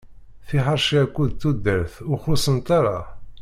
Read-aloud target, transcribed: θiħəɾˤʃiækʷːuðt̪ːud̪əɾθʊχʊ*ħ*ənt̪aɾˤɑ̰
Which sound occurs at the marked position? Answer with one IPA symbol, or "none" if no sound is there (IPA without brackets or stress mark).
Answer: s